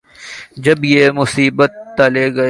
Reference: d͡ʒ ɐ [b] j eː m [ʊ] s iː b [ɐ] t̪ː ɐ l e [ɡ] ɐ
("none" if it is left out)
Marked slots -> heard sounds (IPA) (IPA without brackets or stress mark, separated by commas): b, ʊ, ə, ɡ